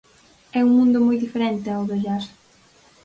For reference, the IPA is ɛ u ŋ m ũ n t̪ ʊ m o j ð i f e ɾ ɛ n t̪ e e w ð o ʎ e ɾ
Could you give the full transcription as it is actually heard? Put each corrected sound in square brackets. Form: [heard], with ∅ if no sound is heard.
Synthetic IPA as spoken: ɛ u ŋ m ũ n [d̪] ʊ m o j ð i f e ɾ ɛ n t̪ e [a] w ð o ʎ [a] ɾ